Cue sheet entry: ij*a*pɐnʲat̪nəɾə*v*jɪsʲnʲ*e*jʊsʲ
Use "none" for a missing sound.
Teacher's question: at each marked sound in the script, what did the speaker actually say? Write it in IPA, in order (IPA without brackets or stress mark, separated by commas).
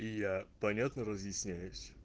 a, z, æ